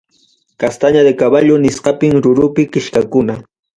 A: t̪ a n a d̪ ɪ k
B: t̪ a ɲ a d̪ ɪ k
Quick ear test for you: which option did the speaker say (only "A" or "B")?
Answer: B